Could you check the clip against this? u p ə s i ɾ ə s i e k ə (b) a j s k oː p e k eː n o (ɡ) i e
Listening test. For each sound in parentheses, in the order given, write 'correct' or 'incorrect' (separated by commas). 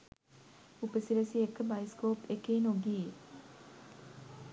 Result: correct, correct